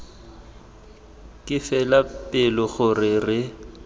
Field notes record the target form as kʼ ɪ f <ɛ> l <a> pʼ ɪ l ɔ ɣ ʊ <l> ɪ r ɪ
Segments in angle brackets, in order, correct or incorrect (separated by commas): correct, correct, incorrect